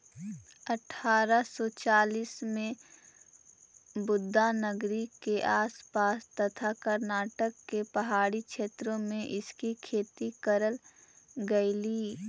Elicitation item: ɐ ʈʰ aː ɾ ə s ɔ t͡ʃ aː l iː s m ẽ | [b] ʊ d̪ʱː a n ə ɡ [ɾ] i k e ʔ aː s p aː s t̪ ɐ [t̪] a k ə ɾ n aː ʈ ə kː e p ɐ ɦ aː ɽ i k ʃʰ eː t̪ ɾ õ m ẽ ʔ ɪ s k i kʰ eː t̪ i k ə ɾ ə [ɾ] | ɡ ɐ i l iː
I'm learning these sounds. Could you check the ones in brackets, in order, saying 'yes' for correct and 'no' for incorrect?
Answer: yes, yes, no, no

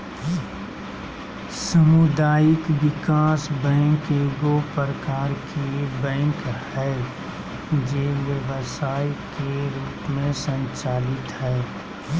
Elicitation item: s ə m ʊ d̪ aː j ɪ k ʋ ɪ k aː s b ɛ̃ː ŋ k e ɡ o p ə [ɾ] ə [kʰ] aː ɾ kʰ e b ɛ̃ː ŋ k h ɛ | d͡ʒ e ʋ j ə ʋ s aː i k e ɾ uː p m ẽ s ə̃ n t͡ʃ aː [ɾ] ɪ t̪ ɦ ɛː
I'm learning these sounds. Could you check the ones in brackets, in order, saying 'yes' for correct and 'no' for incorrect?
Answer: yes, no, no

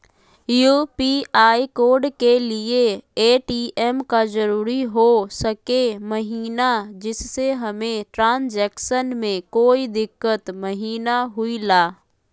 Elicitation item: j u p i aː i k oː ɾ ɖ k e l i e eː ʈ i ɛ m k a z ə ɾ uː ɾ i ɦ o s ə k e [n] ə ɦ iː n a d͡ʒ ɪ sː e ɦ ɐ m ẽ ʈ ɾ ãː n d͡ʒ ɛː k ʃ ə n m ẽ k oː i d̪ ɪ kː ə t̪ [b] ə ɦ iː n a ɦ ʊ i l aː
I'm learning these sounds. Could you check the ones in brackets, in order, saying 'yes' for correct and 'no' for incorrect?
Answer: no, no

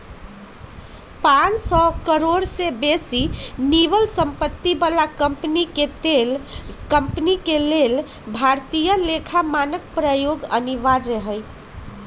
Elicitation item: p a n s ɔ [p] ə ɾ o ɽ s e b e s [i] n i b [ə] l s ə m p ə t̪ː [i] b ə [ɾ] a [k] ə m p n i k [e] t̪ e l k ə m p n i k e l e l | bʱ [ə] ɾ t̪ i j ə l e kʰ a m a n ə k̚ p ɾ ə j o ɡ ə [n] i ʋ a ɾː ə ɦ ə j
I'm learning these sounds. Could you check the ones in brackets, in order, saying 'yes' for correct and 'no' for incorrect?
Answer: no, yes, yes, yes, no, yes, yes, no, yes

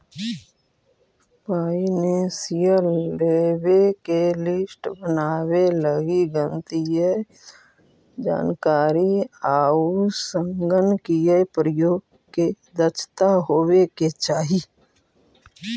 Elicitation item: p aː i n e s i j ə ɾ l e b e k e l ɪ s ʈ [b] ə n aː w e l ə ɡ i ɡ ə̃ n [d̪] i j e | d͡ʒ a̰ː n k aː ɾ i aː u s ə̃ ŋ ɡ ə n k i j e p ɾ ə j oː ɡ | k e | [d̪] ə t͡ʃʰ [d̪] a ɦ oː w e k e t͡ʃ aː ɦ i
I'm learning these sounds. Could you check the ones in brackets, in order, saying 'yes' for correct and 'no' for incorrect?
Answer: yes, no, yes, no

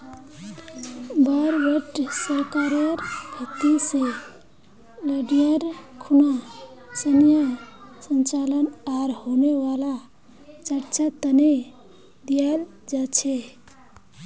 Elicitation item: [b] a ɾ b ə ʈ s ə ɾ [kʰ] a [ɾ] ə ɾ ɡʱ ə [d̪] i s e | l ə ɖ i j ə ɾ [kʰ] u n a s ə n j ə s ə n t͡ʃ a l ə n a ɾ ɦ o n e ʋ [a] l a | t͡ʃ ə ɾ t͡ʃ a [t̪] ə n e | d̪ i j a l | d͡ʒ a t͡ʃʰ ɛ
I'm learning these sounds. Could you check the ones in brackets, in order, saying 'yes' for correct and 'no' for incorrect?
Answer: yes, no, yes, no, yes, yes, yes

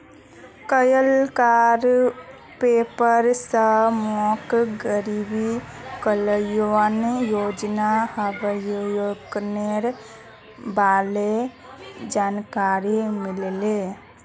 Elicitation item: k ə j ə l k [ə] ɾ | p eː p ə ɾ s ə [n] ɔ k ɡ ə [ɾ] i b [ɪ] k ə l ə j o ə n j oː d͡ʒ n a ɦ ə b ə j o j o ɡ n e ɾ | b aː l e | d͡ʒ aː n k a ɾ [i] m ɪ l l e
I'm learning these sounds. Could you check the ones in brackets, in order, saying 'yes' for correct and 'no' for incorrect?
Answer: no, no, yes, no, yes

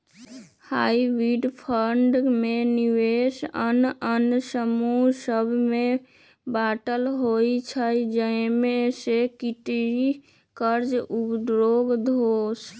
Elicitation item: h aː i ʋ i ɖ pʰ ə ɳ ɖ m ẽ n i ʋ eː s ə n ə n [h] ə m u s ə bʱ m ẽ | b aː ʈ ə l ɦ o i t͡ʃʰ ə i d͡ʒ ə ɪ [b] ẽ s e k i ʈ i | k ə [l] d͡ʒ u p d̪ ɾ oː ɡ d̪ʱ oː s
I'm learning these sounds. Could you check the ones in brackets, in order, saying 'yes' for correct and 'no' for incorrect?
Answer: no, no, no

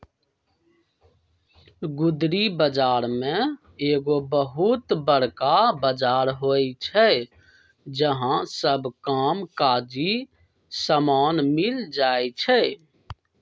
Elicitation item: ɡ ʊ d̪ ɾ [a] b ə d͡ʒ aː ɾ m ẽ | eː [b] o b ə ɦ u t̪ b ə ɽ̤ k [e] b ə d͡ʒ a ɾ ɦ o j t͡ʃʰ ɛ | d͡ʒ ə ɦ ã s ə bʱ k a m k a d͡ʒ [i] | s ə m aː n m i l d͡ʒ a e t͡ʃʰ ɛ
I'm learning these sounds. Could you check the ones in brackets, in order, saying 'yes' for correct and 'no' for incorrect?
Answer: no, no, no, yes

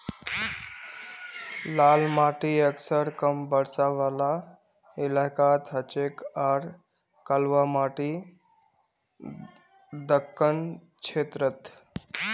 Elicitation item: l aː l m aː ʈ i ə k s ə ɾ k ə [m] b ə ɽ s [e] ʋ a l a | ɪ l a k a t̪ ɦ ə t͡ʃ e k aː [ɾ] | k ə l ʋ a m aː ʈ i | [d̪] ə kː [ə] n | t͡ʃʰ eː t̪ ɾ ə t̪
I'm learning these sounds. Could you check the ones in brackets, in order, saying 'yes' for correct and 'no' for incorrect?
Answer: yes, no, yes, yes, yes

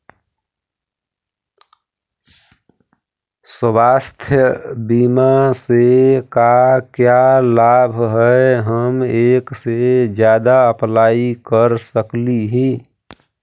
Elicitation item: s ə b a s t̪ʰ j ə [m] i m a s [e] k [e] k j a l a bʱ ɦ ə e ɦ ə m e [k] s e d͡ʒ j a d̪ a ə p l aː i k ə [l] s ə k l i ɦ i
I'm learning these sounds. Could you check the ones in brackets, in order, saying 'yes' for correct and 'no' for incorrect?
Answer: no, yes, no, yes, no

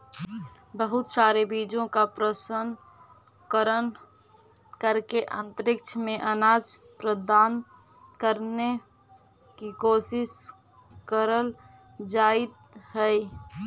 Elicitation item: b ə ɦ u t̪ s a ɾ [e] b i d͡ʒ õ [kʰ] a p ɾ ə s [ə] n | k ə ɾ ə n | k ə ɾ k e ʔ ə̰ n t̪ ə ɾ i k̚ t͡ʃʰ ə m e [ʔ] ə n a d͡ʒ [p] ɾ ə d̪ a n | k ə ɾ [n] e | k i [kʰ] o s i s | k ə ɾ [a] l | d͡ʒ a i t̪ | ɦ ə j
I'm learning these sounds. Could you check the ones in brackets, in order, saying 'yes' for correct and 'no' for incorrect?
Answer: yes, no, yes, yes, yes, yes, no, no

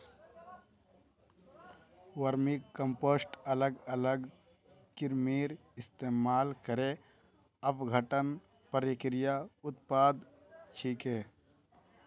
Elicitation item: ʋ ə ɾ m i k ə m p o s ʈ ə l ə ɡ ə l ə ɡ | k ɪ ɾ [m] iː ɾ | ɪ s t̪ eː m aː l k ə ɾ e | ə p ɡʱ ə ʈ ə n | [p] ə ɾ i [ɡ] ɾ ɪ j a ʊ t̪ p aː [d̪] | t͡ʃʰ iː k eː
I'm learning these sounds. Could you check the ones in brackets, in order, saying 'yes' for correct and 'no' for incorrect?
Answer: yes, yes, no, yes

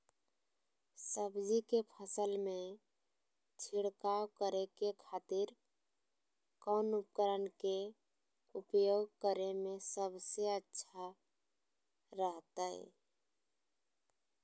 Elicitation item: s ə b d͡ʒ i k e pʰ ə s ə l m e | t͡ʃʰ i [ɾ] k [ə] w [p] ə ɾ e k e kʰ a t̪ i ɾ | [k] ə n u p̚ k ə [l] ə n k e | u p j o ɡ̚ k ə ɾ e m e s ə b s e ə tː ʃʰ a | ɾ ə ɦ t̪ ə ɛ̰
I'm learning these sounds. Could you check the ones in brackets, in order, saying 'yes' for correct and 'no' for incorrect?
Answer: no, no, no, yes, no

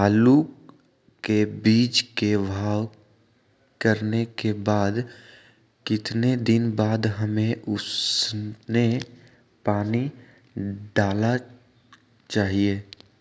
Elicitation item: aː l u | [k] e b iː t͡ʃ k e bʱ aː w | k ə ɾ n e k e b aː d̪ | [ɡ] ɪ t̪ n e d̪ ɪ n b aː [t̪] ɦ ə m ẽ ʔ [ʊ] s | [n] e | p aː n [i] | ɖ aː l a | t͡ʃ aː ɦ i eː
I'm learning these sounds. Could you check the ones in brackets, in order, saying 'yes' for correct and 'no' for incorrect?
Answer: yes, no, no, yes, yes, yes

